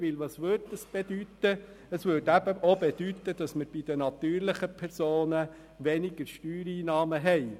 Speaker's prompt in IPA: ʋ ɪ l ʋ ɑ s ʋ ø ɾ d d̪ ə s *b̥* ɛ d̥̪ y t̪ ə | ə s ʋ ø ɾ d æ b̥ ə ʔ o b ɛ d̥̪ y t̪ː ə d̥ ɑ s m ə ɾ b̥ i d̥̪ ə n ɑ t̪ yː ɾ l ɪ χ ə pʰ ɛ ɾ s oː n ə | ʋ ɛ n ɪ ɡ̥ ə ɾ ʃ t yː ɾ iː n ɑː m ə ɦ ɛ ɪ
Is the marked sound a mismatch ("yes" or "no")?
no